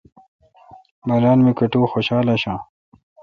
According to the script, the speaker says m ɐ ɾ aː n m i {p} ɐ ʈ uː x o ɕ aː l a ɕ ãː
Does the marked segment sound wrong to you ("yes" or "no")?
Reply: yes